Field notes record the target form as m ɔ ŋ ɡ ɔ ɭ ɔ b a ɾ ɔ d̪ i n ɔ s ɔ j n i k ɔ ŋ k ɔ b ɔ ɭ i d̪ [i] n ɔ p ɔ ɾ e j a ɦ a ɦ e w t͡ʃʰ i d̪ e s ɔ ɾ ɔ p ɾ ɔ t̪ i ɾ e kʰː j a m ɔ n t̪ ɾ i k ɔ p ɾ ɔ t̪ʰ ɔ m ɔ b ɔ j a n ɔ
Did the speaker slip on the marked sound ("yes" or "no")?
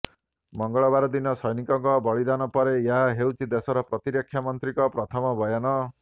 yes